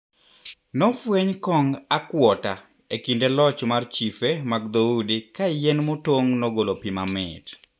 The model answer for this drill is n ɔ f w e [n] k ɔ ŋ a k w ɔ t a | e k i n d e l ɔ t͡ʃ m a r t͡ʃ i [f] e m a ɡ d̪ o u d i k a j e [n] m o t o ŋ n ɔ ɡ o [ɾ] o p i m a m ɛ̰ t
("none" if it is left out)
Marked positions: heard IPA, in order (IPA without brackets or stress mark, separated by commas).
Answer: ɲ, f, n, l